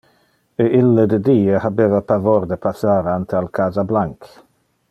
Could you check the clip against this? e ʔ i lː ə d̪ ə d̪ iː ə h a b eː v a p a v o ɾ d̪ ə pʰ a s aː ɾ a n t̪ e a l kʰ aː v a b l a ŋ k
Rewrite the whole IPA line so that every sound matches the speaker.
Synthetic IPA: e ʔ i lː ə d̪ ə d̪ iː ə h a b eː v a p a v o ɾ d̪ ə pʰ a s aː ɾ a n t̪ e a l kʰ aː z a b l a ŋ k